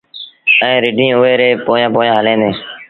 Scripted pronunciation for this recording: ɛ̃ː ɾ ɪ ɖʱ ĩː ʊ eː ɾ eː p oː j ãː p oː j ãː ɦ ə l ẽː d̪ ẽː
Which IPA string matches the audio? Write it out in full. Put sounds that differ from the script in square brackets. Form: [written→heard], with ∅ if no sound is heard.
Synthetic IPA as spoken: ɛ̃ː ɾ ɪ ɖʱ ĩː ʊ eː ɾ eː p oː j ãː p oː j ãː ɦ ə l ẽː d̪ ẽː